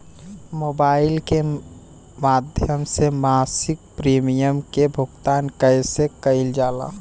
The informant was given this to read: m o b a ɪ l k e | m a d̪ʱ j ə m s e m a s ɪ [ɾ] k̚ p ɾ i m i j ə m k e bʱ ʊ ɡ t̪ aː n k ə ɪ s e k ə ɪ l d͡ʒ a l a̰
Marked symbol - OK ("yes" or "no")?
no